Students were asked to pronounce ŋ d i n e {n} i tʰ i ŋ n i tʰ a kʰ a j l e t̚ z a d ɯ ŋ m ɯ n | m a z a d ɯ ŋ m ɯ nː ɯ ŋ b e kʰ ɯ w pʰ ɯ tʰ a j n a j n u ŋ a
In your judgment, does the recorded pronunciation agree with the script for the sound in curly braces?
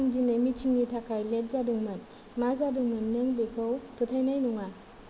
no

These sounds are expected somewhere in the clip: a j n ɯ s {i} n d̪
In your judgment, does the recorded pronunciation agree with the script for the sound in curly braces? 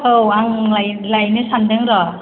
no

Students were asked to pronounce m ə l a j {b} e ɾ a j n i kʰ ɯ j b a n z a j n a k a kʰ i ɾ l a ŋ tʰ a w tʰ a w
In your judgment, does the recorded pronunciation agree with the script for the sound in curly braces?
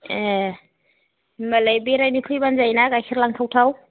yes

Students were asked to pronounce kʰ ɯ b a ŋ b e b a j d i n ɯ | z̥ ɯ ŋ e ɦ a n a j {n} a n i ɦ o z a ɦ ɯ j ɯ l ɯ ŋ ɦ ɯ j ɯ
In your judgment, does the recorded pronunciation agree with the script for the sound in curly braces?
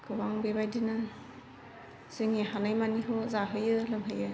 no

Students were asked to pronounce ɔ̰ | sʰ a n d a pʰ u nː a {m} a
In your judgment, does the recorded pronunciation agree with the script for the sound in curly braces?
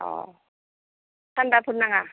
no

